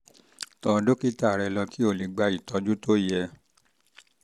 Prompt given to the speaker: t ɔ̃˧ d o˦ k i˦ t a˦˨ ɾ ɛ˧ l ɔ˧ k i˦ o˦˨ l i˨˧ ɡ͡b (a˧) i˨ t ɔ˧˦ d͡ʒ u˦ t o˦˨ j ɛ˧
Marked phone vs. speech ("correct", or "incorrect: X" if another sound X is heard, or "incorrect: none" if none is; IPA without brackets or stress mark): correct